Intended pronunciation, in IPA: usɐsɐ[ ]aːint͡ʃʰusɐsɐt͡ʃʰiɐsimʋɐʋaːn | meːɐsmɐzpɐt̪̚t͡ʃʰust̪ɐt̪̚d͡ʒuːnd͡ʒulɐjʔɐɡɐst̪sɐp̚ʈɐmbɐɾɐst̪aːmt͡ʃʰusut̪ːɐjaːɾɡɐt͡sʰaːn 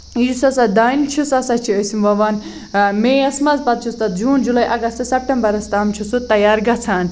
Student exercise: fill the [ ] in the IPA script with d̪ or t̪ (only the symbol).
d̪